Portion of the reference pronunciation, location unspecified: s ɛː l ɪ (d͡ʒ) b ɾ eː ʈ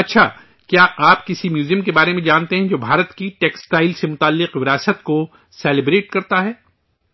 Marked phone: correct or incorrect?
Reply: incorrect: none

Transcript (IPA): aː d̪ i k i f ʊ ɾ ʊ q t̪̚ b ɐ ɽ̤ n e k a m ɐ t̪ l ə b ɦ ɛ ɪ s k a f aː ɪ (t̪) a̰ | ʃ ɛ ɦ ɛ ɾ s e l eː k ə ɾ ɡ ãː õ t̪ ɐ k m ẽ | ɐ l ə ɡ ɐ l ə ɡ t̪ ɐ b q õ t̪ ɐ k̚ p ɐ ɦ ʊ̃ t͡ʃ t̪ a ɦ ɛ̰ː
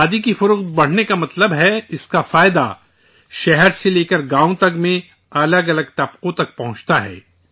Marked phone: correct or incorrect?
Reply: incorrect: d̪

